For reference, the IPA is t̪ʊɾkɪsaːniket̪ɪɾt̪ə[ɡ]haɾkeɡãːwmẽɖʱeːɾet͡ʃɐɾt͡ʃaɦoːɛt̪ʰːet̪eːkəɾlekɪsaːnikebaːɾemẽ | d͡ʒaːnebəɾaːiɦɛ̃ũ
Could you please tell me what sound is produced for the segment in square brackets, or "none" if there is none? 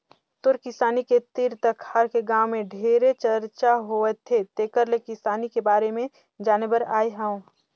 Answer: k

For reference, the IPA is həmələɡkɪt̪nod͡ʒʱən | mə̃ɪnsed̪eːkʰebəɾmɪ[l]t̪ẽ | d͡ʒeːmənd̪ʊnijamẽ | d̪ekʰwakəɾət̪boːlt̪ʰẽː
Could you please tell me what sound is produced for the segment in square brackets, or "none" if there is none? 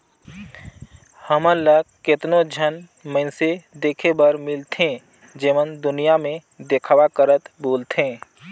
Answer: l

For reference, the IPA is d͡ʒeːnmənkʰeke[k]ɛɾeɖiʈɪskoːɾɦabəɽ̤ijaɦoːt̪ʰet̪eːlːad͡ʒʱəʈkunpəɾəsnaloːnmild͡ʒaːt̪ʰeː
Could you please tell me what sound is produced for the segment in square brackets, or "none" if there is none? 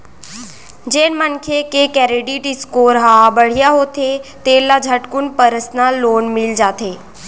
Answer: k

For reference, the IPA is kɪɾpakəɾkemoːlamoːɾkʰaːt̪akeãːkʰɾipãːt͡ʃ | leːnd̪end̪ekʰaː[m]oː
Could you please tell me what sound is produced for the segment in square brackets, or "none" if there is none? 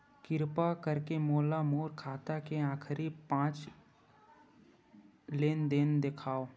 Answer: none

